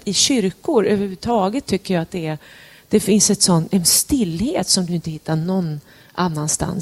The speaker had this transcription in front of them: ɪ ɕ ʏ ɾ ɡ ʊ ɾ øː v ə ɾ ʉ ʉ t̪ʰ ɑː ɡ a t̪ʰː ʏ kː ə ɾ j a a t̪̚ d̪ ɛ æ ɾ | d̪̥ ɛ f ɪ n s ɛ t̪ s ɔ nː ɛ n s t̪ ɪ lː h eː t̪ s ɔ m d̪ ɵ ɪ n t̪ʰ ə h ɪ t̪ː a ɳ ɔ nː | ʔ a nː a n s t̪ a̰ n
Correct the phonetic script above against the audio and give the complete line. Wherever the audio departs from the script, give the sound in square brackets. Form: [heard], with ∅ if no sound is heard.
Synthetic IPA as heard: ɪ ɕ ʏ ɾ [k] ʊ ɾ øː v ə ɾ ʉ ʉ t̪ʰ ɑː ɡ [ə] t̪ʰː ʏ kː ə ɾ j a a t̪̚ d̪ ɛ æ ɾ | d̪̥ ɛ f ɪ n s ɛ t̪ s ɔ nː ɛ n s t̪ ɪ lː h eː t̪ s ɔ m d̪ ɵ ɪ n [t̪] ə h ɪ t̪ː a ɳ ɔ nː | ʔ a nː a n s t̪ a̰ n